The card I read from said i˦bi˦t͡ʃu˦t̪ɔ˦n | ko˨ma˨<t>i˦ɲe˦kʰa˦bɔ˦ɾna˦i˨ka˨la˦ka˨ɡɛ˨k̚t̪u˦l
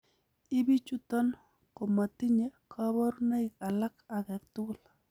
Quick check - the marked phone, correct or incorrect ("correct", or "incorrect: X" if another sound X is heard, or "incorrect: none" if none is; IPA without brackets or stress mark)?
correct